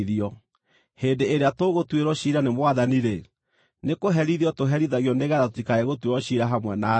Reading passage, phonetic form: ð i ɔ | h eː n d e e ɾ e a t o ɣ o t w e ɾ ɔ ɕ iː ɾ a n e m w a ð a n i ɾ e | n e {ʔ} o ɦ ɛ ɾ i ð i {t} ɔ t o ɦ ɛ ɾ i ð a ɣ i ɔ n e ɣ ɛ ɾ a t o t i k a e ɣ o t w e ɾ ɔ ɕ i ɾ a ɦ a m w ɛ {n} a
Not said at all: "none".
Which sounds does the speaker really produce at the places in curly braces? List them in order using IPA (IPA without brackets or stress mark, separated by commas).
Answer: k, none, n